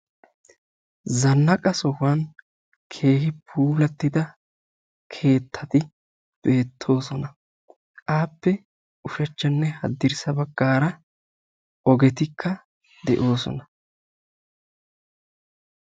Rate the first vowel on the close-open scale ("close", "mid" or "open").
open